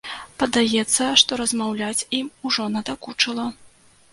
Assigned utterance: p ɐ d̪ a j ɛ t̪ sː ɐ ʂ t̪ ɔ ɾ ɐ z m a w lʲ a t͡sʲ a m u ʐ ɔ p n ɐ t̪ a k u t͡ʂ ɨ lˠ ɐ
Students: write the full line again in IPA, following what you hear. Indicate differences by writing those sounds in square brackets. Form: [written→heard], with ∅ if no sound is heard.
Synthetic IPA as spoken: p ɐ d̪ a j ɛ t̪ sː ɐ ʂ t̪ ɔ ɾ ɐ z m a w lʲ a t͡sʲ [a→i] m u ʐ ɔ [p→∅] n ɐ [t̪→d̪] a k u t͡ʂ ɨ lˠ ɐ